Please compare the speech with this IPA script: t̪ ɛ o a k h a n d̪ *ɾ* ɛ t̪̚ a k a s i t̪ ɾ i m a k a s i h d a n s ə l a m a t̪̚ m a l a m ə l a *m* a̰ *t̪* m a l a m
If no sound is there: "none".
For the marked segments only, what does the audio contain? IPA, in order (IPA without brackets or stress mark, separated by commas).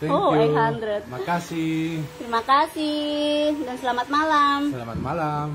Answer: ɾ, m, t̪